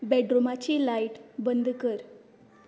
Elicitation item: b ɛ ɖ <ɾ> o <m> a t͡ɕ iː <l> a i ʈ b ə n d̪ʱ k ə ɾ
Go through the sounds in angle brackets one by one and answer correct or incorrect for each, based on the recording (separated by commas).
correct, correct, correct